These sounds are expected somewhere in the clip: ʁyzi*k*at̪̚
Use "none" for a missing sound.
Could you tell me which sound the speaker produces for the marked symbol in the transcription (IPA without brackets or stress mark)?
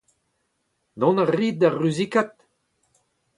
k